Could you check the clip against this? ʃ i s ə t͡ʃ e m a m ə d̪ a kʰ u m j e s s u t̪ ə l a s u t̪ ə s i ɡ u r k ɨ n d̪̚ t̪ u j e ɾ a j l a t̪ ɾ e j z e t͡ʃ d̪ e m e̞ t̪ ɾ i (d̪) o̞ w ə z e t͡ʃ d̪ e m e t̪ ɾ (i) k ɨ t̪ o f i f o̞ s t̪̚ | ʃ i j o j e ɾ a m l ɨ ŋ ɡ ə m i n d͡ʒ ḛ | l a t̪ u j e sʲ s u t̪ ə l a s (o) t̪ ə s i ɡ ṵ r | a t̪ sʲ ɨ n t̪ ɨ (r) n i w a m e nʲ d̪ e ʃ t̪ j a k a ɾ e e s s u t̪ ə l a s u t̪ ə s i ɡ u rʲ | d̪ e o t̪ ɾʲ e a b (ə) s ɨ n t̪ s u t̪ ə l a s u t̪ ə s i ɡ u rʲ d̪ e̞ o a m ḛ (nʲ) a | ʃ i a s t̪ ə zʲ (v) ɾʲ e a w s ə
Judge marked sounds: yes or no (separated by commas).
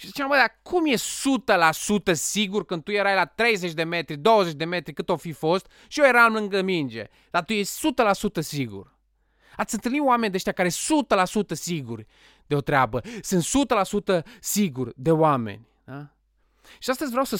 yes, yes, no, no, yes, yes, yes